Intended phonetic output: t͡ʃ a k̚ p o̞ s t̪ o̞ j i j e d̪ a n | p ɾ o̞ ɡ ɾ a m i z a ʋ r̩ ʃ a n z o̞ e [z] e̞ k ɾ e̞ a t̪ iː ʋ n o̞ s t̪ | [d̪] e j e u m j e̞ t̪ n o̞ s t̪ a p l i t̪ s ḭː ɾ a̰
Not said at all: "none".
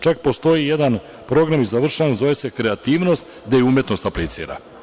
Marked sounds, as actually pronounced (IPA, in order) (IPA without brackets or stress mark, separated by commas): s, d̪